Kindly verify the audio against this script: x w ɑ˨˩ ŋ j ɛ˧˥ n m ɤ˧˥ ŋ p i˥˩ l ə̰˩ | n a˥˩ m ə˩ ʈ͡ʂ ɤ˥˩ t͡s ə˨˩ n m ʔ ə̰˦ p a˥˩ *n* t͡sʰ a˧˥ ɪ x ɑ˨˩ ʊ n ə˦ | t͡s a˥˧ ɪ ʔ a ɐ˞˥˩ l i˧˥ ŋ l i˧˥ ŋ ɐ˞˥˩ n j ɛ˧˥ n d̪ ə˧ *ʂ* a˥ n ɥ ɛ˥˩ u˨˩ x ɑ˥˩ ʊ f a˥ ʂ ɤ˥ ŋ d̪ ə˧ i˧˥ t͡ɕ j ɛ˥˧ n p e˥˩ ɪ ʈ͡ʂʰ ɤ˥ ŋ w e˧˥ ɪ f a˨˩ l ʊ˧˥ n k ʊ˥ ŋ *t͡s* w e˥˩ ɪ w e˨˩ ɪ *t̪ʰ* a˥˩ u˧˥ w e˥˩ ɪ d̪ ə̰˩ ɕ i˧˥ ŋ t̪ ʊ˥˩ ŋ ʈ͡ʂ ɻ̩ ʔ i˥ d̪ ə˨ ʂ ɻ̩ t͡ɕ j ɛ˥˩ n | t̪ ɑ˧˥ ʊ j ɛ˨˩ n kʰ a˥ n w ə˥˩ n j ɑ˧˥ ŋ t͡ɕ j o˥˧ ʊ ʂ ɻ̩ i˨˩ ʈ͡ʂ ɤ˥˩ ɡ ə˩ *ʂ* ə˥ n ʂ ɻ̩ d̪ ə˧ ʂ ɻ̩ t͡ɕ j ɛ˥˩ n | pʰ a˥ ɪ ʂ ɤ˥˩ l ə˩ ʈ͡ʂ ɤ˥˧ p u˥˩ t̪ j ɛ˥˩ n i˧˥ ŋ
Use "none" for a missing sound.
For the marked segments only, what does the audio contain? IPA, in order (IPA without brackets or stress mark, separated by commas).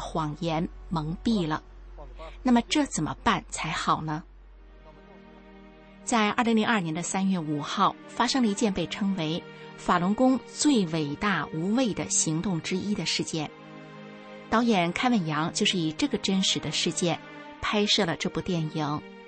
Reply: n, s, t͡s, t̪, ʈ͡ʂ